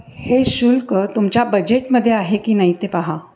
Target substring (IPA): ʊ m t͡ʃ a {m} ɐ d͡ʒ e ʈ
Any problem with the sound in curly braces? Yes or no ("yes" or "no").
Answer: yes